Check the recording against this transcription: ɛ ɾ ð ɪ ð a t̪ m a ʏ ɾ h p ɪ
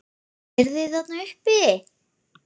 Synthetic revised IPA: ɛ ɾ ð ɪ θ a t̪ n a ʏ h p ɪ